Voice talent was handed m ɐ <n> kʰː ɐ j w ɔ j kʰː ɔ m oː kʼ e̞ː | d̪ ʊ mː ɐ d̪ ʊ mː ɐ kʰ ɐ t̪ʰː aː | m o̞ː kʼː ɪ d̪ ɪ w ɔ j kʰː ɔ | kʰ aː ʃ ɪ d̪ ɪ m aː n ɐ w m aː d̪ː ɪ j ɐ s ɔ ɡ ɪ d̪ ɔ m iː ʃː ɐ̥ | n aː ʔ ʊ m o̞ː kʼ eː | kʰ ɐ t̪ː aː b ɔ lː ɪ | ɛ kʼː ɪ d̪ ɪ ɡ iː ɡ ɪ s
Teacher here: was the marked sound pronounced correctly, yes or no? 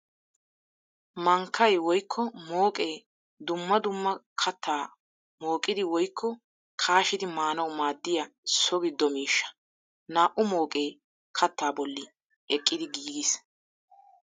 no